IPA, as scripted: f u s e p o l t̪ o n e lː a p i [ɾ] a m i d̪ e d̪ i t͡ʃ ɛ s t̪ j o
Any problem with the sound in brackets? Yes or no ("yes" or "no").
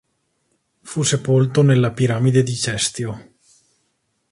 no